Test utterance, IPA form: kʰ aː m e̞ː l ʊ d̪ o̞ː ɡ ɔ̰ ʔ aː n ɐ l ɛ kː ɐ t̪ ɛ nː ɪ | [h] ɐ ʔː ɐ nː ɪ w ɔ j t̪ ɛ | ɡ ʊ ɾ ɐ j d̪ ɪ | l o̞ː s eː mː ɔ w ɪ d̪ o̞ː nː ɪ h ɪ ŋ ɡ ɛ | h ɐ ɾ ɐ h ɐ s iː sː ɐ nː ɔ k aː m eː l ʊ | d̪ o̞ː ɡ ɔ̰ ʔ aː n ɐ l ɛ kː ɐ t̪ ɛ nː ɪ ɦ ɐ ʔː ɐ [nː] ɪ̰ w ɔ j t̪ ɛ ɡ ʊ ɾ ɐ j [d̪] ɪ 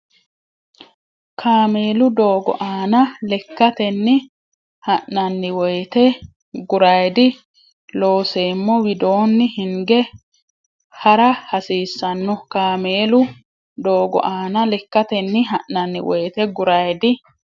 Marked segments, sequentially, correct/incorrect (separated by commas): correct, correct, correct